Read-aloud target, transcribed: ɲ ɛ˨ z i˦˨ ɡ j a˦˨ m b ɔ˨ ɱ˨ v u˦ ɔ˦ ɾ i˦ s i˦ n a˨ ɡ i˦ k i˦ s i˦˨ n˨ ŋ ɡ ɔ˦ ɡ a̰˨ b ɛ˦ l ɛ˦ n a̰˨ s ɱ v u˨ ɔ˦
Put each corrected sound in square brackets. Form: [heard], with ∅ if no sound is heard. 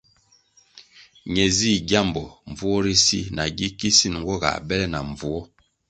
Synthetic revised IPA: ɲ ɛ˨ z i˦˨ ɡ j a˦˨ m b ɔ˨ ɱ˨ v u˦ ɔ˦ ɾ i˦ s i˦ n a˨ ɡ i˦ k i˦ s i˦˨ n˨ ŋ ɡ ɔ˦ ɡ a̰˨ b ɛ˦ l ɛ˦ n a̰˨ [∅] ɱ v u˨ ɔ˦